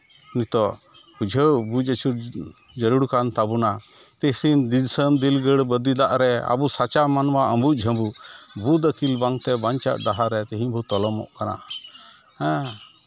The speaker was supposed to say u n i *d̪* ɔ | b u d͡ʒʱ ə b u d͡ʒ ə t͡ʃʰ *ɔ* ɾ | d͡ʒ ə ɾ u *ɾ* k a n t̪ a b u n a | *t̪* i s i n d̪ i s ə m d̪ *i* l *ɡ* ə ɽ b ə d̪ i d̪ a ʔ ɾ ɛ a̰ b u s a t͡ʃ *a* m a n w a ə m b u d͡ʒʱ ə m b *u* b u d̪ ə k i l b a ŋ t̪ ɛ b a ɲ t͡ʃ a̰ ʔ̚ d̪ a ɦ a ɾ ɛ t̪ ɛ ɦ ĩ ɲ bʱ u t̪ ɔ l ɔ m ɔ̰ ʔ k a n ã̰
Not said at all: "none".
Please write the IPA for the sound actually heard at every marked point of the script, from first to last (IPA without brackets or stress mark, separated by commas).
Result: t̪, u, ɽ, t̪, i, ɡ, a, u